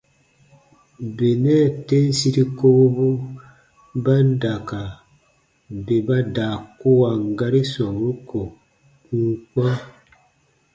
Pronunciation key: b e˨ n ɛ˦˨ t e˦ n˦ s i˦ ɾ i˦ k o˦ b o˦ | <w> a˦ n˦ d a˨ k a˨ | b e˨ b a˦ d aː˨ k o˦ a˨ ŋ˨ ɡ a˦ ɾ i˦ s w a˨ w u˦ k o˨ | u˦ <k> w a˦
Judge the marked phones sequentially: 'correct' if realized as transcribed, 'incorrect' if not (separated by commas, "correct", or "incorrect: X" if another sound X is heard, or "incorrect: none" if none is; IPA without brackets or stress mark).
incorrect: b, correct